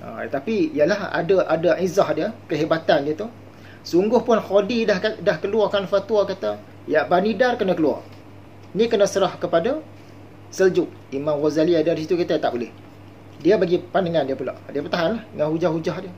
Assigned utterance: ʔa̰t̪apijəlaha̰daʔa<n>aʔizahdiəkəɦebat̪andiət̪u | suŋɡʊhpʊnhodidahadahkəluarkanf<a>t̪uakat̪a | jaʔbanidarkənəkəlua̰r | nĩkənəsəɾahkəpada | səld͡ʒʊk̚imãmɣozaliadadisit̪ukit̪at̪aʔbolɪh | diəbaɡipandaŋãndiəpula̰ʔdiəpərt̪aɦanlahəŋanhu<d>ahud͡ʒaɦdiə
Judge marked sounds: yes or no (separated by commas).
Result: no, yes, no